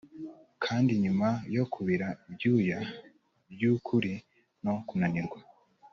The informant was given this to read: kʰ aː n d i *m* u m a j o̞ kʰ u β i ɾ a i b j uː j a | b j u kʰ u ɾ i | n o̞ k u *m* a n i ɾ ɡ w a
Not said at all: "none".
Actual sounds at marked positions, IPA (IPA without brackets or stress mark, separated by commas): ɲ, n